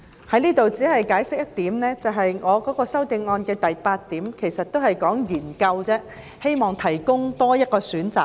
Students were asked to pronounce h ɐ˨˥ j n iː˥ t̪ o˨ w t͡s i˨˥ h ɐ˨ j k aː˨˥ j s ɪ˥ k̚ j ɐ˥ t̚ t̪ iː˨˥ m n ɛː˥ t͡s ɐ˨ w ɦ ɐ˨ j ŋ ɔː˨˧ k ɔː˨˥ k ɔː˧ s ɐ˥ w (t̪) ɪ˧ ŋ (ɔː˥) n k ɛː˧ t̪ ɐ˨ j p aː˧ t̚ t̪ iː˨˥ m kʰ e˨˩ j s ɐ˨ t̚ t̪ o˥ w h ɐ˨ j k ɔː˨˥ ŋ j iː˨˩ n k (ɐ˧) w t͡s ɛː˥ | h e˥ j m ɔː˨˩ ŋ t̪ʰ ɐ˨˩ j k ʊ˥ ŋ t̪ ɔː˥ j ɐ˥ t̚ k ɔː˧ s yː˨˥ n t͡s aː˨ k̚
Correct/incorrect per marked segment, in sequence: correct, incorrect, correct

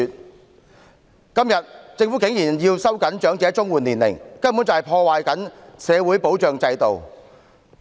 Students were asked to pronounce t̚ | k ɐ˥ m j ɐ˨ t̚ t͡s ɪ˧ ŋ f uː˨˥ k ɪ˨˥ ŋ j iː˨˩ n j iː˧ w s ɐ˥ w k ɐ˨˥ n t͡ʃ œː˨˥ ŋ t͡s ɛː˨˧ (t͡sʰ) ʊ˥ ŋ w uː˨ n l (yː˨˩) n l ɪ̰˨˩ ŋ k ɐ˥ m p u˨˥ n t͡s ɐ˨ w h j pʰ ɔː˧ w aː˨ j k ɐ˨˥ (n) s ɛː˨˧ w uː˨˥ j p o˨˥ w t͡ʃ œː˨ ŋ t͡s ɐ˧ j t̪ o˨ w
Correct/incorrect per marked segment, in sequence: incorrect, incorrect, correct

